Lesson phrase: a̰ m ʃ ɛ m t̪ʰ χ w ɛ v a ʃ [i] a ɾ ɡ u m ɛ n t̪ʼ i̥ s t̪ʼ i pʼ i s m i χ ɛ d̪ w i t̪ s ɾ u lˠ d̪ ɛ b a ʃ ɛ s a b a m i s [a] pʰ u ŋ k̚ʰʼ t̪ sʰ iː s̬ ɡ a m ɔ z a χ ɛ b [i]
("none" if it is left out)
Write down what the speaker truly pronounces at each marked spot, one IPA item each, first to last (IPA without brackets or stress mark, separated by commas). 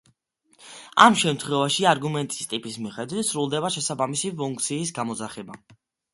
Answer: i, i, a